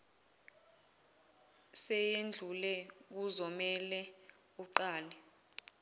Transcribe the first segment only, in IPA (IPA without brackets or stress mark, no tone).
s